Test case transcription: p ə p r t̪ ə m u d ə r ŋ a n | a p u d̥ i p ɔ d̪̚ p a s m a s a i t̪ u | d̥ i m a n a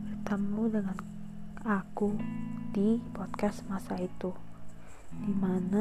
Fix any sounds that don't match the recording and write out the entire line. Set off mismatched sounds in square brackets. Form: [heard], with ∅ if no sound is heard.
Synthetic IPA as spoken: [b] ə [∅] r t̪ ə m u d ə [∅] ŋ a n | a [k] u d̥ i p ɔ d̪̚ [k] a s m a s a i t̪ u | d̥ i m a n a